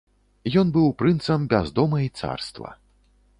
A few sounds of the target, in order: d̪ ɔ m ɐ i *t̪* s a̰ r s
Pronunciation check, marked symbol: correct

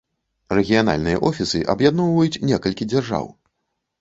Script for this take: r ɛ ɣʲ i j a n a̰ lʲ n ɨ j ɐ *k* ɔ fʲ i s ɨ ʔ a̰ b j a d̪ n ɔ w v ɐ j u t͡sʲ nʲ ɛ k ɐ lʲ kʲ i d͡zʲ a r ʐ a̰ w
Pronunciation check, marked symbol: incorrect: ʔ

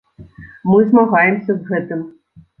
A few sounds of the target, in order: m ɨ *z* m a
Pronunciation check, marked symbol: correct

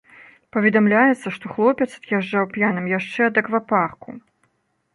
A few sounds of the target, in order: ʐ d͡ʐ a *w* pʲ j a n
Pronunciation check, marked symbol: correct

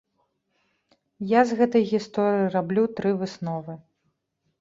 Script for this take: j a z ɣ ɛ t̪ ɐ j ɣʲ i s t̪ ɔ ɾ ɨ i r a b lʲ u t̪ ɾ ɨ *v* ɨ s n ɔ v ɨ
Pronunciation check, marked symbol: correct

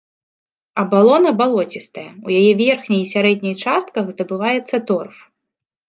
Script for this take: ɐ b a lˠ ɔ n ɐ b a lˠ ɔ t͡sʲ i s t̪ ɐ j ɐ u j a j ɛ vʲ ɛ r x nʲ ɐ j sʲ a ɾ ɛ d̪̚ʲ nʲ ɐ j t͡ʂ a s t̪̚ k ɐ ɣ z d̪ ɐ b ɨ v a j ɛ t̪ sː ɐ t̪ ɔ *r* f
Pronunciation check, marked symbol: correct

